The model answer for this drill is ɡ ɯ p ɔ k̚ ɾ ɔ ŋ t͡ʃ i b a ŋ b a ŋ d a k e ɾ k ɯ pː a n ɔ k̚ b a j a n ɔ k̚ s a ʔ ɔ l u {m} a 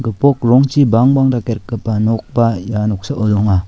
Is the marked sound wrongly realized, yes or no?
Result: yes